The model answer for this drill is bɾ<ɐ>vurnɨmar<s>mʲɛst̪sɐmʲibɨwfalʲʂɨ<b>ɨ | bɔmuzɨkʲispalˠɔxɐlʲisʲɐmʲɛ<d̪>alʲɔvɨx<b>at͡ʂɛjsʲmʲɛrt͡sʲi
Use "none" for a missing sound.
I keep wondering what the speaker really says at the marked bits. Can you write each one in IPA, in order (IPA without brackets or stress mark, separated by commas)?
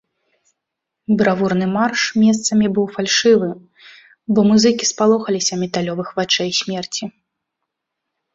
a, ʂ, v, t̪, v